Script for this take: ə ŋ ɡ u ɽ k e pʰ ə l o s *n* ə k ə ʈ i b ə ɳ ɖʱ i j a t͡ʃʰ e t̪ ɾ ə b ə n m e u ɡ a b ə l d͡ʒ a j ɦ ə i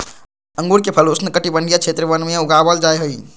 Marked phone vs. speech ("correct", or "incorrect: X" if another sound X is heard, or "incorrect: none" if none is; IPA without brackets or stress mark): correct